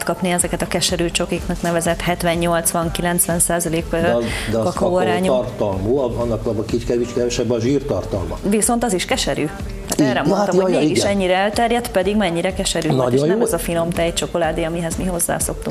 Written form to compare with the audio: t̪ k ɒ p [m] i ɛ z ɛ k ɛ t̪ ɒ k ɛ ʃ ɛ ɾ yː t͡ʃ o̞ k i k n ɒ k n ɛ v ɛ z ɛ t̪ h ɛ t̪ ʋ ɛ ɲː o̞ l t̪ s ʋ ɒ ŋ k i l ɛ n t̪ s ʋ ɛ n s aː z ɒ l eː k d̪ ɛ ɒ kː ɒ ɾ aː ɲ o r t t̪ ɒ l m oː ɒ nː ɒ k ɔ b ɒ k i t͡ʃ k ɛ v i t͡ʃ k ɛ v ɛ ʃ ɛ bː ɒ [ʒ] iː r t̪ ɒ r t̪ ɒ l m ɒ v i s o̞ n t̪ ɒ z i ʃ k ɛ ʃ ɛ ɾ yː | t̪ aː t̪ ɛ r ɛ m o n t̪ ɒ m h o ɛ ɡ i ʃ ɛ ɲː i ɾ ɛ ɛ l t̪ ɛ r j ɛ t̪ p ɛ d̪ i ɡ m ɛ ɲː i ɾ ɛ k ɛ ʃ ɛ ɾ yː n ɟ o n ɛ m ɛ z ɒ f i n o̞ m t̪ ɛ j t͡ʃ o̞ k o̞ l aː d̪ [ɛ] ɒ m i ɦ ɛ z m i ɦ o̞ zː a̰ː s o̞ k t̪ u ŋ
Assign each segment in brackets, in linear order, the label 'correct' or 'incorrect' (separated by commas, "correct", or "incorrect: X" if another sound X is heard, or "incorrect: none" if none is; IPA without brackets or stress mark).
incorrect: n, correct, incorrect: i